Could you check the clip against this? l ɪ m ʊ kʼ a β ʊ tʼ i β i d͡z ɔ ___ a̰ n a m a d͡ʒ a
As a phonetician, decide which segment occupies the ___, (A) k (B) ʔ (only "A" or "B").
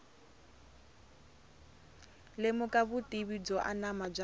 B